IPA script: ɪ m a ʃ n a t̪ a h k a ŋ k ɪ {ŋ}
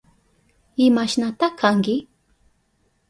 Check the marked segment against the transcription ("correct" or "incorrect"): incorrect